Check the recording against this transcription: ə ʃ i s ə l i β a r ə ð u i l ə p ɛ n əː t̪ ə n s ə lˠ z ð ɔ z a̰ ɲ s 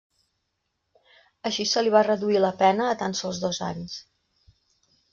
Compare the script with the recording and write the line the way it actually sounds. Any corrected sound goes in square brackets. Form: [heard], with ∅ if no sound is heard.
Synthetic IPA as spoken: ə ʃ i s ə l i β a r ə ð u i l ə p ɛ n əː t̪ [a] n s ə lˠ z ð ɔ z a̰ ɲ s

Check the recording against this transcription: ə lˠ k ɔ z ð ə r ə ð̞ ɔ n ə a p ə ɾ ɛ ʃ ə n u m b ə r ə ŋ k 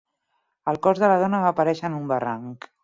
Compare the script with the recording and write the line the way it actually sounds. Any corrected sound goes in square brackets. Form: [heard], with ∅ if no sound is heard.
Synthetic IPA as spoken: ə lˠ k ɔ z ð ə [l] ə ð̞ ɔ n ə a p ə ɾ ɛ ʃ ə n u m b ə r [a] ŋ k

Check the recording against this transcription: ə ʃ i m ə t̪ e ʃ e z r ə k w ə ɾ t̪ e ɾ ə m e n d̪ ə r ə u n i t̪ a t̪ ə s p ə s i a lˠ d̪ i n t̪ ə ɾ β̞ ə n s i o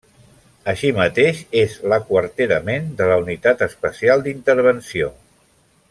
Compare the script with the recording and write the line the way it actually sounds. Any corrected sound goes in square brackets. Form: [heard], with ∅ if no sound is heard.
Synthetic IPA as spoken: ə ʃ i m ə t̪ e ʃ e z [l] ə k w ə ɾ t̪ e ɾ ə m e n d̪ ə [l] ə u n i t̪ a t̪ ə s p ə s i a lˠ d̪ i n t̪ ə ɾ β̞ ə n s i o

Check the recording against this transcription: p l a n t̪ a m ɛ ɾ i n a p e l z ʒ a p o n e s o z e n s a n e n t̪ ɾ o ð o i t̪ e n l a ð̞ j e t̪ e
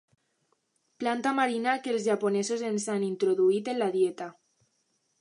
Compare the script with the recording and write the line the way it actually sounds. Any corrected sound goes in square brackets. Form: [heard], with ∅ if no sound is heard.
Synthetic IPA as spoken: p l a n t̪ a m [a] ɾ i n a [k] e l z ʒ a p o n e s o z e n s a n [i] n t̪ ɾ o ð [u] i t̪ e n l a ð̞ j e t̪ [a]

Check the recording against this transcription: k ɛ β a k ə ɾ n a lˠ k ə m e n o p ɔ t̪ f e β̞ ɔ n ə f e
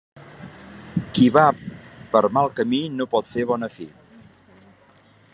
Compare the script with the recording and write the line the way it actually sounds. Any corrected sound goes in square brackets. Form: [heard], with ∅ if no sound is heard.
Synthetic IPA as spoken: k [i] β a [p] ə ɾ [m] a lˠ k ə m [i] n o p ɔ t̪ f e β̞ ɔ n ə f [i]

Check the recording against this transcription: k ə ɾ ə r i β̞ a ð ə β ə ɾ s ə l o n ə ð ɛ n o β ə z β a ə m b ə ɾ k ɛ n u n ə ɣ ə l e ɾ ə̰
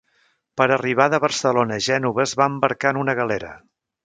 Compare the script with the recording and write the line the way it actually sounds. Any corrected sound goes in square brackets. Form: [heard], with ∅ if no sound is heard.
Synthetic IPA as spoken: [p] ə ɾ ə r i β̞ a ð ə β ə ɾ s ə l o n ə [ʒ] ɛ n [u] β ə z β a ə m b ə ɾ k [a] n u n ə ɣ ə l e ɾ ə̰

